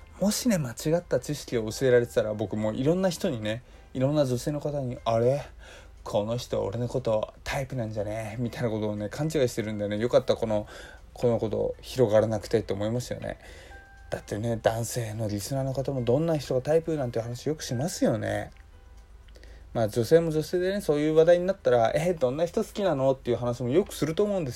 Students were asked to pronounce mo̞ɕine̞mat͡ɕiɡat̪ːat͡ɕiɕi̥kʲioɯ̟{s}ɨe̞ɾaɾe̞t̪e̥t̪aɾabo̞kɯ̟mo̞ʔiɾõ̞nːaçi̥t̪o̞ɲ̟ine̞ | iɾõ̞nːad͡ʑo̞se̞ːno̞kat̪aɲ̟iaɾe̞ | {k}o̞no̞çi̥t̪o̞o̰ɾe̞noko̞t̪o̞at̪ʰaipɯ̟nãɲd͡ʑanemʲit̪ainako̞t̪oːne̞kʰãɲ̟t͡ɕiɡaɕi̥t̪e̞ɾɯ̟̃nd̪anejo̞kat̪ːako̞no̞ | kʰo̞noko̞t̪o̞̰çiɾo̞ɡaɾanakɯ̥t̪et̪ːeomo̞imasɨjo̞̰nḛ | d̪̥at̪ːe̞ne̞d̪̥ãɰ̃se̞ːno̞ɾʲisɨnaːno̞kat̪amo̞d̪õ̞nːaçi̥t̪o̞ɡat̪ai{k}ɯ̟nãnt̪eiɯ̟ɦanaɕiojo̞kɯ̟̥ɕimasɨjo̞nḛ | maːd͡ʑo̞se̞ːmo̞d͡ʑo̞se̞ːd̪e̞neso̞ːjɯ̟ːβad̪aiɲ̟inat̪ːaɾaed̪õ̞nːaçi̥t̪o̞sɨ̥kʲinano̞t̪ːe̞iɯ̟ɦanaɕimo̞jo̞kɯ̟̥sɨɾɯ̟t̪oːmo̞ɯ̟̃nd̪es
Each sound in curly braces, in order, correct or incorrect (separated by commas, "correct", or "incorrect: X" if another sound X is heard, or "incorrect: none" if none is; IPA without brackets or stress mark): correct, incorrect: kʰ, incorrect: p